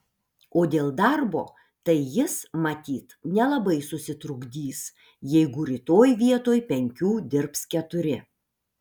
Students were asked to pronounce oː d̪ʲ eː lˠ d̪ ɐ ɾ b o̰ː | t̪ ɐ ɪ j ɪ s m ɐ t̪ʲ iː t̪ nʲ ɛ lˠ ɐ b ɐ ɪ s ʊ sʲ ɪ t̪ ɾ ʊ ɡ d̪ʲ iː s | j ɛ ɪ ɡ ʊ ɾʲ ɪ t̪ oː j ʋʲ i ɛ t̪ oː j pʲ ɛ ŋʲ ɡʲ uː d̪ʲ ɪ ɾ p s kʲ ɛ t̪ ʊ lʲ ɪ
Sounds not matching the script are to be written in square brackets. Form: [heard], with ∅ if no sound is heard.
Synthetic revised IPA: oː d̪ʲ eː lˠ d̪ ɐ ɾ b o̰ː | t̪ ɐ ɪ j ɪ s m ɐ t̪ʲ iː t̪ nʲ ɛ lˠ ɐ b ɐ ɪ s ʊ sʲ ɪ t̪ ɾ ʊ ɡ d̪ʲ iː s | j ɛ ɪ ɡ ʊ ɾʲ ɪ t̪ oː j ʋʲ i ɛ t̪ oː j pʲ ɛ ŋʲ [kʲ] uː d̪ʲ ɪ ɾ p s kʲ ɛ t̪ ʊ [ɾʲ] ɪ